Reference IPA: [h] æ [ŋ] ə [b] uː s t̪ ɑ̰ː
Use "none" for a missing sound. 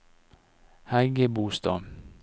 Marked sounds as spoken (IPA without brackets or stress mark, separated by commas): h, ɡ, b